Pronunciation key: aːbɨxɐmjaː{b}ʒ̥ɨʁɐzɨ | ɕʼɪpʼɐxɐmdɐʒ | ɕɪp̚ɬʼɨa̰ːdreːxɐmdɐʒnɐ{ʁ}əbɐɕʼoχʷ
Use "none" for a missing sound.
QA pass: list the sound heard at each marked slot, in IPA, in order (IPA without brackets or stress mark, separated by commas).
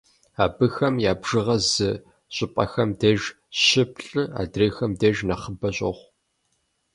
b, χ